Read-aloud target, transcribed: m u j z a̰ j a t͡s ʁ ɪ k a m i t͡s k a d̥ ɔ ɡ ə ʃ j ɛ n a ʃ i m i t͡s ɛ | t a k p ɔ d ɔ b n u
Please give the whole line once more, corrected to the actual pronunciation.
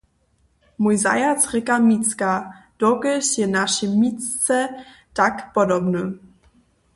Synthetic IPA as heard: m u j z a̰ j a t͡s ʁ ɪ k a m i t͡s k a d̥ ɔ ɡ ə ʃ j ɛ n a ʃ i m i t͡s ɛ | t a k p ɔ d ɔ b n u